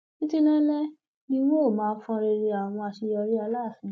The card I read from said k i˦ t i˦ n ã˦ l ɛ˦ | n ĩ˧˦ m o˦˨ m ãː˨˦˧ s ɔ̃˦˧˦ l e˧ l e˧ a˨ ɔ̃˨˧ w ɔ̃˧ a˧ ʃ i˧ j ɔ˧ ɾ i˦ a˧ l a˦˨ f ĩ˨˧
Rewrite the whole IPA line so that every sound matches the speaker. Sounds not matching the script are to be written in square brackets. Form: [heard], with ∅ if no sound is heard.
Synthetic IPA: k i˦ t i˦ n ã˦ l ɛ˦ | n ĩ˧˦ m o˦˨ m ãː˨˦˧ [f] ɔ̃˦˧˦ [ɾ] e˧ [ɾ] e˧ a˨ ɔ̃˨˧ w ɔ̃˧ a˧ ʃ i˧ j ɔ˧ ɾ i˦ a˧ l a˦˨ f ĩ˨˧